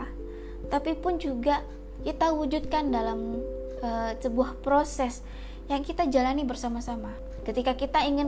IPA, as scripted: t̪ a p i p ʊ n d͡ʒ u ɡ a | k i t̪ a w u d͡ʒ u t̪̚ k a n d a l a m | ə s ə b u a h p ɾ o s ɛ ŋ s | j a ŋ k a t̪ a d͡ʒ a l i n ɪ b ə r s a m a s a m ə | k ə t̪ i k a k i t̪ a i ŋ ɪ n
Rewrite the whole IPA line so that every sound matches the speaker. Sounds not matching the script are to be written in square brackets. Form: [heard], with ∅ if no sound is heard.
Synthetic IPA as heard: t̪ a p i p ʊ n d͡ʒ u ɡ a | k i t̪ a w u d͡ʒ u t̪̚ k a n d a l a m | ə s ə b u a h p ɾ o s ɛ [∅] s | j a ŋ k [i] t̪ a d͡ʒ a l [a] n [i] b ə r s a m a s a m [a] | k ə t̪ i k a k i t̪ a i ŋ ɪ n